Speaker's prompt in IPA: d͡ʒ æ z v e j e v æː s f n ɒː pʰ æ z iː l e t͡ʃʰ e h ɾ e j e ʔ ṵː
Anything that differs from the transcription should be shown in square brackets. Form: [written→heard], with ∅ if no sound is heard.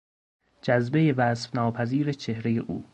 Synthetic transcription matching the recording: d͡ʒ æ z [v→b] e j e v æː s f n ɒː pʰ æ z iː [l→ɾ] e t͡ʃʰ e h ɾ e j e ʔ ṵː

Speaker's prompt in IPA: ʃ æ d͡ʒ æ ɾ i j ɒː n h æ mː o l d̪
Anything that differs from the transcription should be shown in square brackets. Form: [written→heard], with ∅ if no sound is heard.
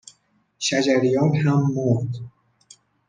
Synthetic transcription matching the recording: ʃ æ d͡ʒ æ ɾ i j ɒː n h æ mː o [l→ɾ] d̪

